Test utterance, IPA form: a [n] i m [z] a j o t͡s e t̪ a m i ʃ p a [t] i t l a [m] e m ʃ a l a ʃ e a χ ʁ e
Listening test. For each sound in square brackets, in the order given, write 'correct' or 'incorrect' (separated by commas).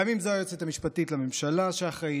incorrect, correct, correct, correct